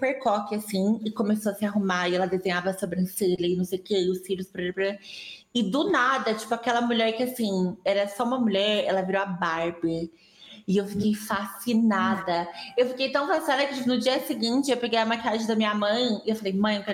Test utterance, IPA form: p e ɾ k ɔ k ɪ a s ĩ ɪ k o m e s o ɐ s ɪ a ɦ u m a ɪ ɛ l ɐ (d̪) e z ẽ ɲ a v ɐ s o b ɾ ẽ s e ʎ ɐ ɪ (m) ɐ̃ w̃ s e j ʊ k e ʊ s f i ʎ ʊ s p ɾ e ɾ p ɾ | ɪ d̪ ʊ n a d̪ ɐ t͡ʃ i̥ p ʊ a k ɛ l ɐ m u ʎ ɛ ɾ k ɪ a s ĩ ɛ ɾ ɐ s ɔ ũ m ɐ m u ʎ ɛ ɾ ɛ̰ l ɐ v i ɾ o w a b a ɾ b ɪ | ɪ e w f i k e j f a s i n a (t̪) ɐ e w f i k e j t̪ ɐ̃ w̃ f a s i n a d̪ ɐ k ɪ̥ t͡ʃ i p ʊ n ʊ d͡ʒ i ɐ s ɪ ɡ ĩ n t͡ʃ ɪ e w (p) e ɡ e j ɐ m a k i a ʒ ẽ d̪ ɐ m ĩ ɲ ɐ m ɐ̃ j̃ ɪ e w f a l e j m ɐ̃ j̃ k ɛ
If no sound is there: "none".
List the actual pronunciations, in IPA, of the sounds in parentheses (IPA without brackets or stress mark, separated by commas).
d̪, n, d̪, p